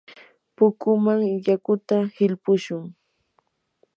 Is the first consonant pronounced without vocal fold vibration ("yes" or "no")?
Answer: yes